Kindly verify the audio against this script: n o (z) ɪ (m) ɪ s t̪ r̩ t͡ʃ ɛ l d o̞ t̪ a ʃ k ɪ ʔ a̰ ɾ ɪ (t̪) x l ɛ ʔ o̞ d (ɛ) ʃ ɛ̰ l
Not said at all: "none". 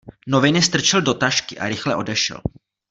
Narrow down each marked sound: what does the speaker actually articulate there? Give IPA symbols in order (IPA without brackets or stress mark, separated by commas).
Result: v, n, none, ɛ